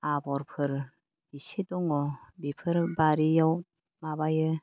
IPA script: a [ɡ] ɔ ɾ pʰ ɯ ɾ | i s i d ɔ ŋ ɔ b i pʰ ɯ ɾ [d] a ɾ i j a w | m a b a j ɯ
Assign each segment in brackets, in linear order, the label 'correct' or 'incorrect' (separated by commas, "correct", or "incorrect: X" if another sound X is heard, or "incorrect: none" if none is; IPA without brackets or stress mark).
incorrect: b, incorrect: b